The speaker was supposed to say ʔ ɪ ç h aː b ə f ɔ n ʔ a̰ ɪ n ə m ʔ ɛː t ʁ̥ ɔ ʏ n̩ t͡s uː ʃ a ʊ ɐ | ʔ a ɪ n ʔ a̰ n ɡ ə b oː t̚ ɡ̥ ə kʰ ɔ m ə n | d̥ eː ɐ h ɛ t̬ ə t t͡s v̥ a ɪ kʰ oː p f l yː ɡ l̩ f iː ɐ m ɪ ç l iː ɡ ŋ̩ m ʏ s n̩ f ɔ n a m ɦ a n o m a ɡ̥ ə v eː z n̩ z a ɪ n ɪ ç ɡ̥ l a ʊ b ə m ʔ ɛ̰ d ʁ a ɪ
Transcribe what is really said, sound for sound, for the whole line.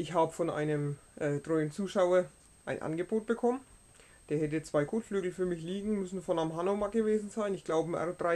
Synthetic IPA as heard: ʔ ɪ ç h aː b ə f ɔ n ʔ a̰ ɪ n ə m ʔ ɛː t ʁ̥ ɔ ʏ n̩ t͡s uː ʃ a ʊ ɐ | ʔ a ɪ n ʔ a̰ n ɡ ə b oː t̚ b̥ ə kʰ ɔ m ə n | d̥ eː ɐ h ɛ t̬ ə t͡s v̥ a ɪ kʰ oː t f l yː ɡ l̩ f yː ɐ m ɪ ç l iː ɡ ŋ̩ m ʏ s n̩ f ɔ n a m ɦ a n o m a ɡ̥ ə v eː z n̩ z a ɪ n ɪ ç ɡ̥ l a ʊ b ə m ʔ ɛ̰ d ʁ a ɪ